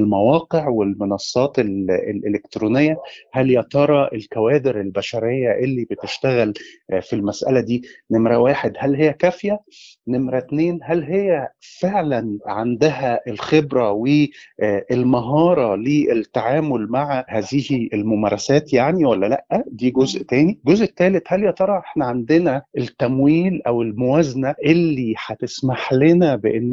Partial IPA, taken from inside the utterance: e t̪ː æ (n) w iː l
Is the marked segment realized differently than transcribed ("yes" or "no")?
yes